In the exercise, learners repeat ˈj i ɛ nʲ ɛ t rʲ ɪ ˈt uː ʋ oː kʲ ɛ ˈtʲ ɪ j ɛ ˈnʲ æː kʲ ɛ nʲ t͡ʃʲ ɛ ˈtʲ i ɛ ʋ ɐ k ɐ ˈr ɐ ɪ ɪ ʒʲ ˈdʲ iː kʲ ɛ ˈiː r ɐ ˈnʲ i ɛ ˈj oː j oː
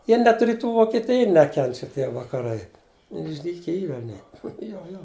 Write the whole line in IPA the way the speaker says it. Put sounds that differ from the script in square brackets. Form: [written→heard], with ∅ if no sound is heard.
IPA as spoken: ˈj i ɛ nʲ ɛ t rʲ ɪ ˈt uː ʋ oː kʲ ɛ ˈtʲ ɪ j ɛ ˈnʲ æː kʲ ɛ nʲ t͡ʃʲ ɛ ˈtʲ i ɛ ʋ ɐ k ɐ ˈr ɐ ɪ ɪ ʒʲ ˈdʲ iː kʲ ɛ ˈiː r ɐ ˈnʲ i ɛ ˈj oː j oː